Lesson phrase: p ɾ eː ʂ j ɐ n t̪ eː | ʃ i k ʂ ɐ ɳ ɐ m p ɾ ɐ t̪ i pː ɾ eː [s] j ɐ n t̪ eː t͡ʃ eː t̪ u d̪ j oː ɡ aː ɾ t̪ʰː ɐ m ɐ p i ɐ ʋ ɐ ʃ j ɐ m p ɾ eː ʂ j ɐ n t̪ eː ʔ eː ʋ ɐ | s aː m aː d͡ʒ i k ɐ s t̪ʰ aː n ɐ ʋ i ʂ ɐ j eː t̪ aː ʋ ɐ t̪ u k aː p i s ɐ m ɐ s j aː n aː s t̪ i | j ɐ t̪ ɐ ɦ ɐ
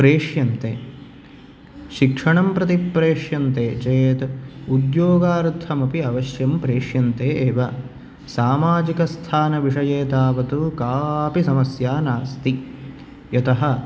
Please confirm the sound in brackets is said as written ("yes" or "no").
no